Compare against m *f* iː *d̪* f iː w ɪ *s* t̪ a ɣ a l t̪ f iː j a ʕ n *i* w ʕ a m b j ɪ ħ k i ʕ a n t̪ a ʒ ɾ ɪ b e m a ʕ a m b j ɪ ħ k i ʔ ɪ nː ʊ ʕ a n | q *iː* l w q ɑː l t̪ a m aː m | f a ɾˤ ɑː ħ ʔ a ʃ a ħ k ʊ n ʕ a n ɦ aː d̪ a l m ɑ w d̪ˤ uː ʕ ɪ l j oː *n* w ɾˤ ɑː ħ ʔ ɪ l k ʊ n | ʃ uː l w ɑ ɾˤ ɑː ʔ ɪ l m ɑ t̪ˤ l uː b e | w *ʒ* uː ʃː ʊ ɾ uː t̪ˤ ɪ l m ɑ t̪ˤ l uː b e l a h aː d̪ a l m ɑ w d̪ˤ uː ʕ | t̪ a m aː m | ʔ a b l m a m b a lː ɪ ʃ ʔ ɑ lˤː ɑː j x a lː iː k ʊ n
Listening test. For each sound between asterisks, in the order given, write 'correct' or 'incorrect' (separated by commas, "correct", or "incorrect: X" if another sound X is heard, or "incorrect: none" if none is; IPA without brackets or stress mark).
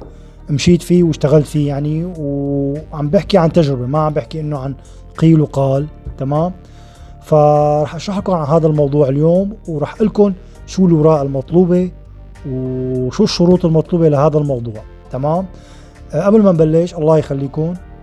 incorrect: ʃ, incorrect: t̪, incorrect: ʃ, correct, correct, incorrect: m, incorrect: ʃ